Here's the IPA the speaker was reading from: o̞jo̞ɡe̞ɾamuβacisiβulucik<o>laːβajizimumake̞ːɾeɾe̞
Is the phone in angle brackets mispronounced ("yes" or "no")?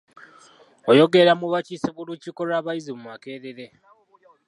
no